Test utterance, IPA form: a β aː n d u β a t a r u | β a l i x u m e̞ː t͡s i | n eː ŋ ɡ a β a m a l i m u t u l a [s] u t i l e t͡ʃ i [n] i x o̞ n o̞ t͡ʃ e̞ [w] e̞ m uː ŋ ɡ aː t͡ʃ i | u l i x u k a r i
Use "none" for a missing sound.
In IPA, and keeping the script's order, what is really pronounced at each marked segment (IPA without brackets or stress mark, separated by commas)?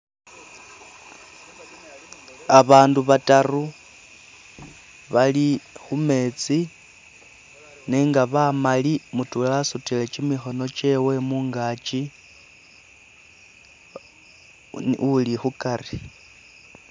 s, m, w